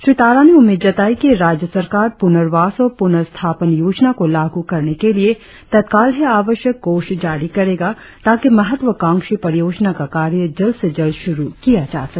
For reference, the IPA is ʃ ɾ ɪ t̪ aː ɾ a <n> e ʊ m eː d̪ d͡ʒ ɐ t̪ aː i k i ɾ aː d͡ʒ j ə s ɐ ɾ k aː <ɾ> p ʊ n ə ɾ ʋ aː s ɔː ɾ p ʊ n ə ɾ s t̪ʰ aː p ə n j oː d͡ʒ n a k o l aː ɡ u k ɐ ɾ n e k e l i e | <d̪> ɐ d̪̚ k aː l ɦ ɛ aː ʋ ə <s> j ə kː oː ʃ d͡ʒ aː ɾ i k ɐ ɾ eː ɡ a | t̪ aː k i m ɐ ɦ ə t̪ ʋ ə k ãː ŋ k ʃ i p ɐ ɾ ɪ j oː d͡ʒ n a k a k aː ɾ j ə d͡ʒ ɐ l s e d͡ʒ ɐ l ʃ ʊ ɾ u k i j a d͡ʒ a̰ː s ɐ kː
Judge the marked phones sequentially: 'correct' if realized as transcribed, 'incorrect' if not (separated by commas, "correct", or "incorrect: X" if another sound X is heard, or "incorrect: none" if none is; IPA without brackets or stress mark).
correct, correct, incorrect: t̪, incorrect: ʃ